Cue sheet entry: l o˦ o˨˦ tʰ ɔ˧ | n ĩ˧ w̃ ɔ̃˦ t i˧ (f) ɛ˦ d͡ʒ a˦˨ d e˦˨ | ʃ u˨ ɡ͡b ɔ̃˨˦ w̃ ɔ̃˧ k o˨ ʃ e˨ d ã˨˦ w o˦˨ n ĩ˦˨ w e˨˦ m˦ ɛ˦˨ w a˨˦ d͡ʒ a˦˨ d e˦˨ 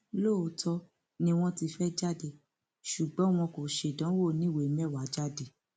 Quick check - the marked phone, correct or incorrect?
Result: correct